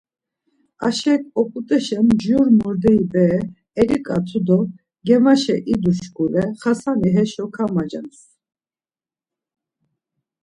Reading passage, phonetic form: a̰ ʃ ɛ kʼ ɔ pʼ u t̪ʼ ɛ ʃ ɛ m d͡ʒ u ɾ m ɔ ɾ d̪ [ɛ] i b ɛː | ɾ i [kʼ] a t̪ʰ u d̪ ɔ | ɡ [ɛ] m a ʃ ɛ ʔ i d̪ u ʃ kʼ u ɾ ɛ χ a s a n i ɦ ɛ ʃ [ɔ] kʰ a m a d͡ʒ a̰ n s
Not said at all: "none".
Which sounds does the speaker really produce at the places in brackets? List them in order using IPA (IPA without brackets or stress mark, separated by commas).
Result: ɛ, kʼ, ɛ, ɔ